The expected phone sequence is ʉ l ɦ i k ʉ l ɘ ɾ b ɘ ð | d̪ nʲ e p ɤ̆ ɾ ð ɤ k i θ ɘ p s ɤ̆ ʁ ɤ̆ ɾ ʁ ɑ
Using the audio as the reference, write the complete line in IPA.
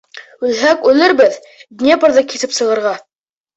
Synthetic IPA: ʉ l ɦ æ k ʉ l ɘ ɾ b ɘ ð | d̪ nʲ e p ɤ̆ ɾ ð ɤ k i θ ɘ p s ɤ̆ ʁ ɤ̆ ɾ ʁ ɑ